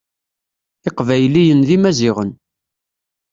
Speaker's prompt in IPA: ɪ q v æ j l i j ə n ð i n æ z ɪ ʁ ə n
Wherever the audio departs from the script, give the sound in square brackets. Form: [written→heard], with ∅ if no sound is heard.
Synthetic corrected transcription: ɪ q v æ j l i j ə n ð i [n→m] æ z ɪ ʁ ə n